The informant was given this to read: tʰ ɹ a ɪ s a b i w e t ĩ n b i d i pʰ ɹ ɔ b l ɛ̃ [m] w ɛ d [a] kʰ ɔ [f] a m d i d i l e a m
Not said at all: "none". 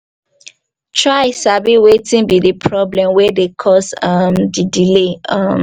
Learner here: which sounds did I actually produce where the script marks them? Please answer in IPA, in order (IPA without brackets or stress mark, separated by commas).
m, e, s